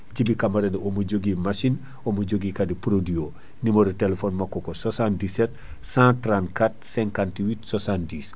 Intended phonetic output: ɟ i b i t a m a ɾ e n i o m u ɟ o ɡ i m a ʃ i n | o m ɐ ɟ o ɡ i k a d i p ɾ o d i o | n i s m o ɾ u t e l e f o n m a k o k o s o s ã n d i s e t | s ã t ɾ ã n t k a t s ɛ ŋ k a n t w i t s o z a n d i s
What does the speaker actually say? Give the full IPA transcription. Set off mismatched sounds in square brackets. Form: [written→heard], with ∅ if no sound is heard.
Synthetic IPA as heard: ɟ i b i [t→k] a m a ɾ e n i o m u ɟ o ɡ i m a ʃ i n | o m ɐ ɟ o ɡ i k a d i p ɾ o d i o | n i [s→∅] m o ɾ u t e l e f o n m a k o k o s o s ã n d i s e t | s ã t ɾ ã n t k a t s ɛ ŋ k a n t w i t s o [z→s] a n d i s

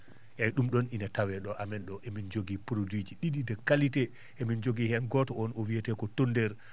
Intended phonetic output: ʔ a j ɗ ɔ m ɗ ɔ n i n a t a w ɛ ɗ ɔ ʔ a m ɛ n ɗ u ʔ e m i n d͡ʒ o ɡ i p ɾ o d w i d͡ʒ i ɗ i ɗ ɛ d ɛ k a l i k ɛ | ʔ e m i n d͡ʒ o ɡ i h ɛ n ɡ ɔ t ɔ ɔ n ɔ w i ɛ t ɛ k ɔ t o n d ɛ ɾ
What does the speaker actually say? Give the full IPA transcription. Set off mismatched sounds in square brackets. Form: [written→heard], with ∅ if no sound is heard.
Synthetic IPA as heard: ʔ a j ɗ [ɔ→u] m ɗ ɔ n i n a t a w ɛ ɗ ɔ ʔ a m ɛ n ɗ [u→ɔ] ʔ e m i n d͡ʒ o ɡ i p ɾ o d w i d͡ʒ i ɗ i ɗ [ɛ→i] d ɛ k a l i [k→t] ɛ | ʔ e m i n d͡ʒ o ɡ i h ɛ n ɡ ɔ t ɔ ɔ n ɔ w i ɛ t ɛ k ɔ t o n d ɛ ɾ

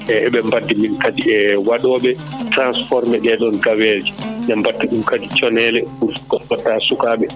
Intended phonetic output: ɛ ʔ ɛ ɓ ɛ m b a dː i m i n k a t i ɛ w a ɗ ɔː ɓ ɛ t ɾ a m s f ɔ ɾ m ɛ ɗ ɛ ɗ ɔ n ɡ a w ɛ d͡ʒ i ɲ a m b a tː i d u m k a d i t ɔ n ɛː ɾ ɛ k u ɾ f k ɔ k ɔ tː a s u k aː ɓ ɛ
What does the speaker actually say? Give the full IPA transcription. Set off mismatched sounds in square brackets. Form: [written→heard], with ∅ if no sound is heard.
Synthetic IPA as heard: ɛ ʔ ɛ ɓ ɛ m b a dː i m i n k a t i ɛ w a ɗ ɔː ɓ ɛ t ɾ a [m→n] s f ɔ ɾ m ɛ ɗ ɛ ɗ ɔ n ɡ a w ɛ d͡ʒ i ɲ a m b a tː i [d→ɗ] u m k a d i [t→t͡ʃ] ɔ n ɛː [ɾ→l] ɛ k u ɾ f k ɔ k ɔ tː a s u k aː ɓ ɛ

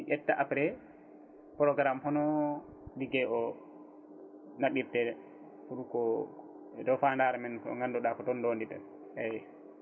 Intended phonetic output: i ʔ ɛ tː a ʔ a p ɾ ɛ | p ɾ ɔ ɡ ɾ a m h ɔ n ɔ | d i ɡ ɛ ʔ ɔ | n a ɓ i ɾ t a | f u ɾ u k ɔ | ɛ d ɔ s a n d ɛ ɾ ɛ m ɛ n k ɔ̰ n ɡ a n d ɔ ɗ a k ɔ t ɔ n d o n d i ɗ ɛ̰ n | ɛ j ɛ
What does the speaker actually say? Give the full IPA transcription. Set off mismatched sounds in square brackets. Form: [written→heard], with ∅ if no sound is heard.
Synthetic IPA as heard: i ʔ ɛ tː a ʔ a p ɾ ɛ | p ɾ ɔ ɡ ɾ a m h ɔ n ɔ | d i ɡ ɛ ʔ ɔ | n a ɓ i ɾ t [a→ɛ] | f u ɾ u k ɔ | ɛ d ɔ [s→f] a n d [ɛ→a] ɾ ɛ m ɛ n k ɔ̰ [n→ŋ] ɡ a n d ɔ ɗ a k ɔ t ɔ n d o n d i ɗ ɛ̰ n | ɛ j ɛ

